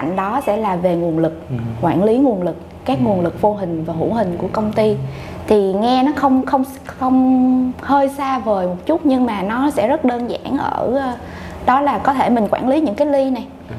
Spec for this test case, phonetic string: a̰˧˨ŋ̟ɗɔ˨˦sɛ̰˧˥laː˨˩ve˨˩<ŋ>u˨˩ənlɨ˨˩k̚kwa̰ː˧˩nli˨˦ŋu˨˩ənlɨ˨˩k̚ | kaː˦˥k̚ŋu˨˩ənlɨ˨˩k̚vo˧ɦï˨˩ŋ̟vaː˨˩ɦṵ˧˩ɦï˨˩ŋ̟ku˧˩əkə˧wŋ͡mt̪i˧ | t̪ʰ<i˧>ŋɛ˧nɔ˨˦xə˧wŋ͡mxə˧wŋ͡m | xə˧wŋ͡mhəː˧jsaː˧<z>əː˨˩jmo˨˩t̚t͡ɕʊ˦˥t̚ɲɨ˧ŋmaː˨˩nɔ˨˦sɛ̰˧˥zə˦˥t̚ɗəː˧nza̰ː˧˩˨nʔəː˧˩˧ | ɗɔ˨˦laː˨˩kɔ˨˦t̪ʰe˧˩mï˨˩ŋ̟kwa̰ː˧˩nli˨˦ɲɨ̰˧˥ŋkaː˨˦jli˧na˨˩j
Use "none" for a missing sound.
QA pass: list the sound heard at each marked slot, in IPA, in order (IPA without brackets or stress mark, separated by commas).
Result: ŋ, i˨˩, v